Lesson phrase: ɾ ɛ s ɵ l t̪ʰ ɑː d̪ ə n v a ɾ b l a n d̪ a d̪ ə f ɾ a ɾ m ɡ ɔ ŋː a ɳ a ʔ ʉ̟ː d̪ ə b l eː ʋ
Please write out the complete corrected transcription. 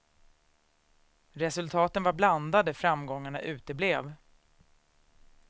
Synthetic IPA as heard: ɾ ɛ s ɵ l t̪ʰ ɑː t̪ ə n v a ɾ b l a n d̪ a d̪ ə f ɾ a m ɡ ɔ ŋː a ɳ a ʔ ʉ̟ː t̪ ə b l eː v